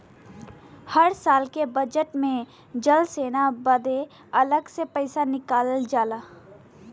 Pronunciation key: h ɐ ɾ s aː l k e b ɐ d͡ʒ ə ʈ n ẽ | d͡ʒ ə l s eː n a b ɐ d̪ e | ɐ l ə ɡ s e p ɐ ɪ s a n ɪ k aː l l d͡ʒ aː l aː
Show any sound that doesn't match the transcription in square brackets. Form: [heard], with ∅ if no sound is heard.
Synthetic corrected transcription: h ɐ ɾ s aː l k e b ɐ d͡ʒ ə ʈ [m] ẽ | d͡ʒ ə l s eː n a b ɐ d̪ e | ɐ l ə ɡ s e p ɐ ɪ s a n ɪ k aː l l d͡ʒ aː l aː